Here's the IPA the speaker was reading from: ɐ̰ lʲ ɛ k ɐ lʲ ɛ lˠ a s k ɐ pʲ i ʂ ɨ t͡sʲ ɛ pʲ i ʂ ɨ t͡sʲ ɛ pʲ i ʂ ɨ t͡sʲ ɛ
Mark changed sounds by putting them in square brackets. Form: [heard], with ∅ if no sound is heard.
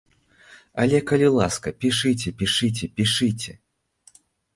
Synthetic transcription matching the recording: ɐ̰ lʲ ɛ k ɐ lʲ [i] lˠ a s k ɐ pʲ i ʂ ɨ t͡sʲ ɛ pʲ i ʂ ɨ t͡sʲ ɛ pʲ i ʂ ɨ t͡sʲ ɛ